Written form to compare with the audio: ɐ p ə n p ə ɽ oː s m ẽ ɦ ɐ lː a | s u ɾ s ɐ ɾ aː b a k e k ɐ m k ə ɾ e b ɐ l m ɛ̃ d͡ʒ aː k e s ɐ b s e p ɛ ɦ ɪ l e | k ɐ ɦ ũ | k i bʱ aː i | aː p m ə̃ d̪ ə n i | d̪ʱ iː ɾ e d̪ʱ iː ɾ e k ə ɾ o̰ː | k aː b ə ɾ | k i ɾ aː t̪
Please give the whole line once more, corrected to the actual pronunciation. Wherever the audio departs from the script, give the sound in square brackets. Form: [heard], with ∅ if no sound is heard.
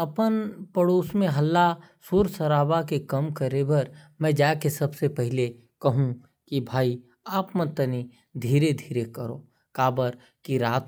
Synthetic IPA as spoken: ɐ p ə n p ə ɽ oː s m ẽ ɦ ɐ lː a | s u ɾ s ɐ ɾ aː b a k e k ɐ m k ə ɾ e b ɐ [ɾ] m ɛ̃ d͡ʒ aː k e s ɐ b s e p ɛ ɦ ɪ l e | k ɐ ɦ ũ | k i bʱ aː i | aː p m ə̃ [t̪] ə n i | d̪ʱ iː ɾ e d̪ʱ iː ɾ e k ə ɾ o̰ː | k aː b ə ɾ | k i ɾ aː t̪